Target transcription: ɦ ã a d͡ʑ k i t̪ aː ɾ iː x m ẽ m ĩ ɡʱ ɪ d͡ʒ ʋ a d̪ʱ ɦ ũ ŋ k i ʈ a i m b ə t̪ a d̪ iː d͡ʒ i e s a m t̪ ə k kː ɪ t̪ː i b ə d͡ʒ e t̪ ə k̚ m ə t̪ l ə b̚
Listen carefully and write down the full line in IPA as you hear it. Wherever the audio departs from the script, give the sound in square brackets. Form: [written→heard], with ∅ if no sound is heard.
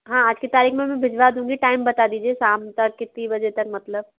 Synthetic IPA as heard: ɦ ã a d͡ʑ k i t̪ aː ɾ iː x m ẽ m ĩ [ɡʱ→bʱ] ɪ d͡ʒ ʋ a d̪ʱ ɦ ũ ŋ [k→ɡ] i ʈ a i m b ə t̪ a d̪ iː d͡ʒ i e s a m t̪ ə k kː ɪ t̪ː i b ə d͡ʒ e t̪ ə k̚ m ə t̪ l ə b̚